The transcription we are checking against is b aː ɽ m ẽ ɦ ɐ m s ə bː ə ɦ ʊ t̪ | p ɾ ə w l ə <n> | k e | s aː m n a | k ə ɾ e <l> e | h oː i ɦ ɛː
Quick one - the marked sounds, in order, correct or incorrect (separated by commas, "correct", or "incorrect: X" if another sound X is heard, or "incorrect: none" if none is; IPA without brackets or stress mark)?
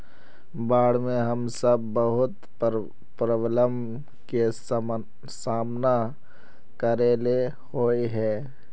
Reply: incorrect: m, correct